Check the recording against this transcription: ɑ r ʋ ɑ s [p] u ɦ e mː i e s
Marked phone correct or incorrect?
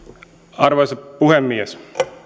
correct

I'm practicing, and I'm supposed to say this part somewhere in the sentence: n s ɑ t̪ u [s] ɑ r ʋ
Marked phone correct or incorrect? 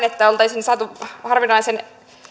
incorrect: h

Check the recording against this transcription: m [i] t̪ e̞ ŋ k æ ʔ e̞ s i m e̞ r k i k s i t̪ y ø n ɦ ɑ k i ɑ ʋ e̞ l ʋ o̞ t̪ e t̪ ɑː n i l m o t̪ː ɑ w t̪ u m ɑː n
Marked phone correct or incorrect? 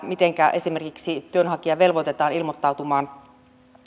correct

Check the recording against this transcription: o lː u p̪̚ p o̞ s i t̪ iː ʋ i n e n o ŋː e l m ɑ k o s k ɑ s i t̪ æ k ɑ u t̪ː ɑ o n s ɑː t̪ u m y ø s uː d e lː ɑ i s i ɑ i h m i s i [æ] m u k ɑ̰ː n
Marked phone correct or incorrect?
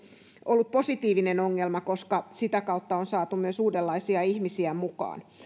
correct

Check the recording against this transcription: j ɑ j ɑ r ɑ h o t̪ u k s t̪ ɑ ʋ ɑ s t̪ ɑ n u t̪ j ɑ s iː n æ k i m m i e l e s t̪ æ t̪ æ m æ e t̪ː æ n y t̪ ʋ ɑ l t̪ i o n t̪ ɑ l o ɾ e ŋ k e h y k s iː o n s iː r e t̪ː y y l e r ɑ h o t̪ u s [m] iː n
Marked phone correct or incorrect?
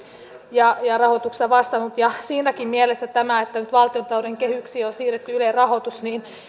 incorrect: n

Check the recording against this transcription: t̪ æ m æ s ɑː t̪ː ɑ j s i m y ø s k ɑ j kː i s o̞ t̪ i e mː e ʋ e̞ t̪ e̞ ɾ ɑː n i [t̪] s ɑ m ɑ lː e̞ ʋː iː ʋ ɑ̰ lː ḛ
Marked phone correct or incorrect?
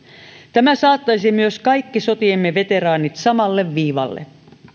correct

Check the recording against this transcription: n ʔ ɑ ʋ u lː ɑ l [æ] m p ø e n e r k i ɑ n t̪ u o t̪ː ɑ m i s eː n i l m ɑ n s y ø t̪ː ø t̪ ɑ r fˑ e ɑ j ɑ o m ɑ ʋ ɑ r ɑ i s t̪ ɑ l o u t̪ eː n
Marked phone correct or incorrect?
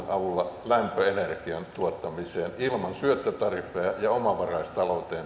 correct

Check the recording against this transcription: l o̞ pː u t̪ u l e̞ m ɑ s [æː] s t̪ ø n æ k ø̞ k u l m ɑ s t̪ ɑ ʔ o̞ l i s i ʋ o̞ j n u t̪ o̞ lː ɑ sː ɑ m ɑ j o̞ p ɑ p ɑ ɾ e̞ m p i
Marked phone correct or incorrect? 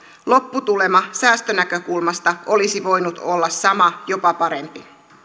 correct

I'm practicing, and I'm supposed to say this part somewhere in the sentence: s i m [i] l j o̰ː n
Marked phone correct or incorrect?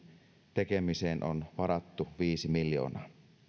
correct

